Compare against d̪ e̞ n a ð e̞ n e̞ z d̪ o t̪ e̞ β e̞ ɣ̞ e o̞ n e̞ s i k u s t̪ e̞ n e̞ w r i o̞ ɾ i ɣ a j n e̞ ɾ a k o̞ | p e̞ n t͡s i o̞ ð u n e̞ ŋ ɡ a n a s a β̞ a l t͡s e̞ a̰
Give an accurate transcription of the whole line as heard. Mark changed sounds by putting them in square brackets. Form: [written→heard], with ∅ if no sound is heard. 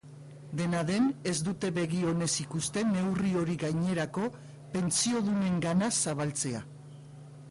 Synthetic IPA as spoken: d̪ e̞ n a ð e̞ n e̞ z d̪ [o→u] t̪ e̞ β e̞ ɣ̞ [e→i] o̞ n e̞ s i k u s t̪ e̞ n e̞ w r i o̞ ɾ i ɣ a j [n→ɲ] e̞ ɾ a k o̞ | p e̞ n t͡s i o̞ ð u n e̞ ŋ ɡ a n a s a β̞ a l t͡s e̞ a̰